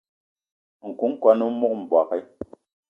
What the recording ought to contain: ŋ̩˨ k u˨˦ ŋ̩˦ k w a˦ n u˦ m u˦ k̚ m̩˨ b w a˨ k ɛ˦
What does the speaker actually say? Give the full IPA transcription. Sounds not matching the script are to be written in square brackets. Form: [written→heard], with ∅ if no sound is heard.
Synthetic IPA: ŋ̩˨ k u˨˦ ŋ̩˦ k w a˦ n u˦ m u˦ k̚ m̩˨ b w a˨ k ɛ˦